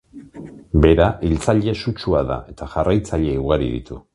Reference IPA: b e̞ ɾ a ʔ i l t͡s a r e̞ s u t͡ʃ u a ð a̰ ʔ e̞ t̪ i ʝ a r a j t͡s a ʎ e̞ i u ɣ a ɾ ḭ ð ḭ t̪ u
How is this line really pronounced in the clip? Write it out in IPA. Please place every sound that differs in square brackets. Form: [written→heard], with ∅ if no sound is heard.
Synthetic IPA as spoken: b e̞ ɾ a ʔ i l t͡s a [r→ʎ] e̞ s u t͡ʃ u a ð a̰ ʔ e̞ t̪ [i→a] ʝ a r a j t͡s a ʎ e̞ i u ɣ a ɾ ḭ ð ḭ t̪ u

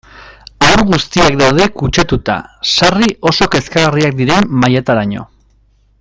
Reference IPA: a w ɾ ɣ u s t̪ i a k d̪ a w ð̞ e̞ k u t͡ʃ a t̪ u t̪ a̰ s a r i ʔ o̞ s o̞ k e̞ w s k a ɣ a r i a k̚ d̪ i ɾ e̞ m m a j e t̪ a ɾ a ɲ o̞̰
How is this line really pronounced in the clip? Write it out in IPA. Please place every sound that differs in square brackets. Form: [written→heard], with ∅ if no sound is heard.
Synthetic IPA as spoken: a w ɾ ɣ u s t̪ i a k d̪ a w ð̞ e̞ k u t͡ʃ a t̪ u t̪ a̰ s a r i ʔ o̞ s o̞ k e̞ [w→∅] s k a ɣ a r i a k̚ d̪ i ɾ e̞ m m a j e t̪ a ɾ a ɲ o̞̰

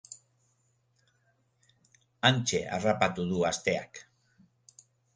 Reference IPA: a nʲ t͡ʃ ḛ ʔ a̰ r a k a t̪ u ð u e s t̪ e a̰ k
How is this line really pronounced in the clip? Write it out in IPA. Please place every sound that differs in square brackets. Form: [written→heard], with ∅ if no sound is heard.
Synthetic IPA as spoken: a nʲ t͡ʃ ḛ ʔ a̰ r a [k→p] a t̪ u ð u [e→a] s t̪ e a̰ k

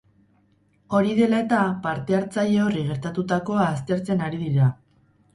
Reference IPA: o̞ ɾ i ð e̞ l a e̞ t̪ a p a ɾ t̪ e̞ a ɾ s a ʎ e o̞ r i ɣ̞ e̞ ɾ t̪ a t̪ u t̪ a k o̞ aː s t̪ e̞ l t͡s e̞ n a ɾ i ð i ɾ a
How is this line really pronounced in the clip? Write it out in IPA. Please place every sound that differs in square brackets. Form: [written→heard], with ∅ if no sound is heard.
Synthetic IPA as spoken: o̞ ɾ i ð e̞ l a e̞ t̪ a p a ɾ t̪ e̞ a ɾ [s→t͡s] a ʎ e o̞ r i ɣ̞ e̞ ɾ t̪ a t̪ u t̪ a k o̞ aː s t̪ e̞ [l→ɾ] t͡s e̞ n a ɾ i ð i ɾ a

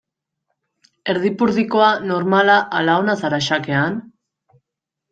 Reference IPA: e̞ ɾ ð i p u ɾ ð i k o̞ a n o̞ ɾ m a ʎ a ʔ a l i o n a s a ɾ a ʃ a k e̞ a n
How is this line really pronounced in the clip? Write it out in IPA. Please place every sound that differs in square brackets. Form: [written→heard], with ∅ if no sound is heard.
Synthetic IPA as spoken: e̞ ɾ ð i p u ɾ ð i k o̞ a n o̞ ɾ m a [ʎ→l] a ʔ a l [i→a] o n a s a ɾ a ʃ a k e̞ a n

